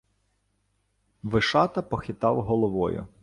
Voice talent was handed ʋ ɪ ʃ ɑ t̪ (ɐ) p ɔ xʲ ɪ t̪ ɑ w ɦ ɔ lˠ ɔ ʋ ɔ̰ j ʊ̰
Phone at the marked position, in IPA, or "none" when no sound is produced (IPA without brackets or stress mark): ɐ